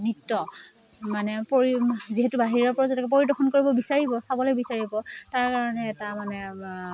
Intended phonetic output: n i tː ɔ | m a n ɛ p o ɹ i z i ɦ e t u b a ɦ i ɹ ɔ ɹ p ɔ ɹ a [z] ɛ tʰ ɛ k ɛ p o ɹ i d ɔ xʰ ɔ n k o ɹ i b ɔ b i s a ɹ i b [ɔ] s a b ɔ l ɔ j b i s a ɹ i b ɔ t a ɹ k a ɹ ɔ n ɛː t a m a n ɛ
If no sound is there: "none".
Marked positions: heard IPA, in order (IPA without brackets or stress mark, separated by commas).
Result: z, ɔ